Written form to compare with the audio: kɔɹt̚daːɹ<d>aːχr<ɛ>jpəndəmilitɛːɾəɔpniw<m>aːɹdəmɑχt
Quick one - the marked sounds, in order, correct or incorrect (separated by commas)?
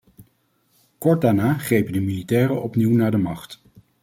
incorrect, incorrect, incorrect